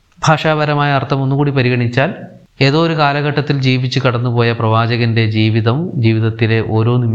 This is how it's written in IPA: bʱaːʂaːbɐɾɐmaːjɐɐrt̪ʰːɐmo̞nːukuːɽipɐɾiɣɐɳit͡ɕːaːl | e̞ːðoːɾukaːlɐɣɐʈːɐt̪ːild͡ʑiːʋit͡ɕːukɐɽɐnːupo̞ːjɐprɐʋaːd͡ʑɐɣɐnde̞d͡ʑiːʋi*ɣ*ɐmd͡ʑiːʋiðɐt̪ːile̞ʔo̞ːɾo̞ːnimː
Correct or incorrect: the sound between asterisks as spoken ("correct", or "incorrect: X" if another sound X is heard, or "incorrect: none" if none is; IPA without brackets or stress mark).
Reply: incorrect: ð